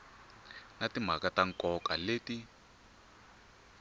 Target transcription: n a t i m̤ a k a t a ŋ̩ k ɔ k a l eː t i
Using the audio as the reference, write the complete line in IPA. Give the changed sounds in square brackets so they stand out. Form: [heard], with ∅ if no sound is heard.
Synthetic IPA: n a t i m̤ a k a t a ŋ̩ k ɔ k a l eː t i